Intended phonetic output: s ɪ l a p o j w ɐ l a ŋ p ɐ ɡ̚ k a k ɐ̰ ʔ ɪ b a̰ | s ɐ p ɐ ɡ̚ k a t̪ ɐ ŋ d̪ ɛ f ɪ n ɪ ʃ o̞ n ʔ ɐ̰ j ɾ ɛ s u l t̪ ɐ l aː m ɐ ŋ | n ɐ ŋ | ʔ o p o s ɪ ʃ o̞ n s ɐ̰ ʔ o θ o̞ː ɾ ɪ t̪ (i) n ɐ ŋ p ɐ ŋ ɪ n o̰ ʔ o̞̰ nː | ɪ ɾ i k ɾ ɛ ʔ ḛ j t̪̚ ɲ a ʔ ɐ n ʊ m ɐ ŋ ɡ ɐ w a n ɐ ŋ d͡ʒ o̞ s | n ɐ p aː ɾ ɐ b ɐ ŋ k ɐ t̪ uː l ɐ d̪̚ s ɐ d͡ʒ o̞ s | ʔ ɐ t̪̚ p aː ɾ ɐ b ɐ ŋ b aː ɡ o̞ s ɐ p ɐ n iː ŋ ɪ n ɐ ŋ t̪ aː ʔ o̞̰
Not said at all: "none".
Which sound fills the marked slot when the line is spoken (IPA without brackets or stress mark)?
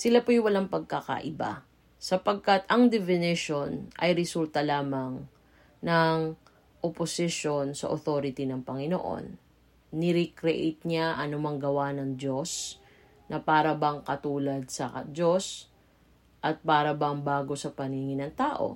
i